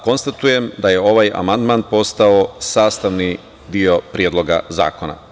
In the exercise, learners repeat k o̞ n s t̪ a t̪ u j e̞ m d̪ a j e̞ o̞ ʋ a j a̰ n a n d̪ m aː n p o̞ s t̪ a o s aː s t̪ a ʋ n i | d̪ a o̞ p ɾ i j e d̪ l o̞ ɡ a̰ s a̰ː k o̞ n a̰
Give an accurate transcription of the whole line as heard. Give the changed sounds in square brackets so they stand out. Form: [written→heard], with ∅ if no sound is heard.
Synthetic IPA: k o̞ n s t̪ a t̪ u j e̞ m d̪ a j e̞ o̞ ʋ a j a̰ [n→m] a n d̪ m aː n p o̞ s t̪ a o s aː s t̪ a ʋ n i | d̪ [a→i] o̞ p ɾ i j e d̪ l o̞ ɡ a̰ [s→z] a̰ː k o̞ n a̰